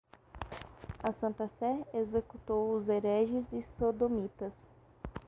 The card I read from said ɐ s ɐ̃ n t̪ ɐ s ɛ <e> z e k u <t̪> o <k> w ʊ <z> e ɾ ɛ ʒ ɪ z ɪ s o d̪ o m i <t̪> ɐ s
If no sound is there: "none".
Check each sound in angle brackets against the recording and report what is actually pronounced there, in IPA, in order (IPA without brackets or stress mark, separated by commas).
e, t̪, none, z, t̪